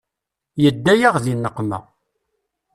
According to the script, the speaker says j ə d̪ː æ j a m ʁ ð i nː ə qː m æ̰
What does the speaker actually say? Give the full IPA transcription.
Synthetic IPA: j ə d̪ː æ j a ʁ ð i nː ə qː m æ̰